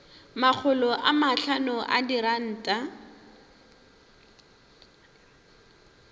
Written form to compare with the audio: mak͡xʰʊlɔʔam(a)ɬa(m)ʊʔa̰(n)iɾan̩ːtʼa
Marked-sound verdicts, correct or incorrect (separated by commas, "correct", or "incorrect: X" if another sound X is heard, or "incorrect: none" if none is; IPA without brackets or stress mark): correct, incorrect: n, incorrect: d